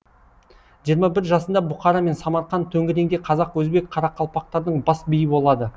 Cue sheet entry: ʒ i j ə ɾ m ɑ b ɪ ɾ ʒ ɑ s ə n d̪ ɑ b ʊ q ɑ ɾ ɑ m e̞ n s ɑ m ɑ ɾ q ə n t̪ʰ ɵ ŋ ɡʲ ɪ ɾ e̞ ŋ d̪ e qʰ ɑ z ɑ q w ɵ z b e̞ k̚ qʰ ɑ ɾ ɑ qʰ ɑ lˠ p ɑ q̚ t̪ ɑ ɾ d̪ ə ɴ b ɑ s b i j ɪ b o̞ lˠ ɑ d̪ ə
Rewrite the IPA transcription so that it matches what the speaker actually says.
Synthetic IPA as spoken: ʒ i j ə ɾ m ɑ b ɪ ɾ ʒ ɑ s ə n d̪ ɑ b ʊ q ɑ ɾ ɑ m e̞ n s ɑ m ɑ ɾ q ɑ n t̪ʰ ɵ ŋ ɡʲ ɪ ɾ e̞ ŋ d̪ e qʰ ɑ z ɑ q w ɵ z b e̞ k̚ qʰ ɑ ɾ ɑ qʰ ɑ lˠ p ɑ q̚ t̪ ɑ ɾ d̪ ə ɴ b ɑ s b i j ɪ b o̞ lˠ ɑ d̪ ə